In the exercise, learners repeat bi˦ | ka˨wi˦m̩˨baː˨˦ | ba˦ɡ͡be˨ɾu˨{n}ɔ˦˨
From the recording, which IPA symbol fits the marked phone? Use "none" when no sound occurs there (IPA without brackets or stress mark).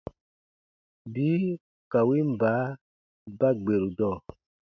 d